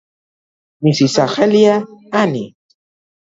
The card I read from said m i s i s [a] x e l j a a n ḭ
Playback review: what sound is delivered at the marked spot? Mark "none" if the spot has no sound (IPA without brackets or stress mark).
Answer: a